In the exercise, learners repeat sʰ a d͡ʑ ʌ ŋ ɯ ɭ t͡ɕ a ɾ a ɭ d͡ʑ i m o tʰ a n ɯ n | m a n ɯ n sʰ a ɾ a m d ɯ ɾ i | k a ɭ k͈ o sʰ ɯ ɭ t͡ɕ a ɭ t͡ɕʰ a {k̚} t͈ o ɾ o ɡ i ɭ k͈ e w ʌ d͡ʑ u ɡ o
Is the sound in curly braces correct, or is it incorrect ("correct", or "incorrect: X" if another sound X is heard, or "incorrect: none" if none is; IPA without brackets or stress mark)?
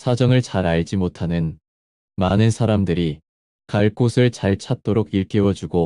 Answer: incorrect: t̚